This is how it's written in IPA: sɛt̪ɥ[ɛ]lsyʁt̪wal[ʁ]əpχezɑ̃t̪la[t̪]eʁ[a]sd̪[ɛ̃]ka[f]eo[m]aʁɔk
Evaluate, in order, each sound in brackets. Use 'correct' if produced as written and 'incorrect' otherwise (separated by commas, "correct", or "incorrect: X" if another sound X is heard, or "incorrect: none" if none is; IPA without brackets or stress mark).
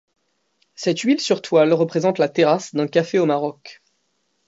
incorrect: i, correct, correct, correct, correct, correct, correct